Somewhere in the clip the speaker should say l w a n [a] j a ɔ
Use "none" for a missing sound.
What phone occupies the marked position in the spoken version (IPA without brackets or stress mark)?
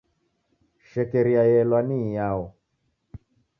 i